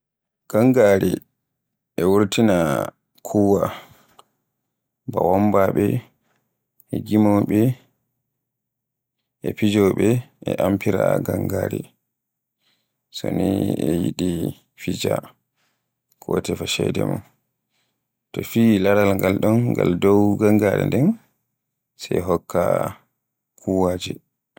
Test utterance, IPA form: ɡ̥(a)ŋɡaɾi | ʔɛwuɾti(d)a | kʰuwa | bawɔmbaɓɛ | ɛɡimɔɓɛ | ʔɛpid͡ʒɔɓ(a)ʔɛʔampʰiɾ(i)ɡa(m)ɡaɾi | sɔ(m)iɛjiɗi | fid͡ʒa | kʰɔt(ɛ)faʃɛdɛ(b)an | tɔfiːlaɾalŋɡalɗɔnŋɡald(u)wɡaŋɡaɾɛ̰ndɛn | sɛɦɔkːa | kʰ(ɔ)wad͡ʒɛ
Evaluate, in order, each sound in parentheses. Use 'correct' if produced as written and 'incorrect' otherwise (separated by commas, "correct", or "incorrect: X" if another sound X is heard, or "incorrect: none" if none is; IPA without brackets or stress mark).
correct, incorrect: n, incorrect: ɛ, incorrect: a, incorrect: ŋ, incorrect: n, correct, incorrect: m, incorrect: ɔ, incorrect: u